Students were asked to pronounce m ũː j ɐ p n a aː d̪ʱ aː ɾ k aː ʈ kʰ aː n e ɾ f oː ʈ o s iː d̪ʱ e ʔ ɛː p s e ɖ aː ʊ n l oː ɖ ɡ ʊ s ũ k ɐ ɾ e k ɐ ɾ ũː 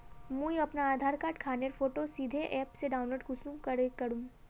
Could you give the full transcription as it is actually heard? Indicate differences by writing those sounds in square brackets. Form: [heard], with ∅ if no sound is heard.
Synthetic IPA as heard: m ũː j ɐ p n a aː d̪ʱ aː ɾ k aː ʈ kʰ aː n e ɾ f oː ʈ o s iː d̪ʱ e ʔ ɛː p s e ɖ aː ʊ n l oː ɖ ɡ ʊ s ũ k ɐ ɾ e k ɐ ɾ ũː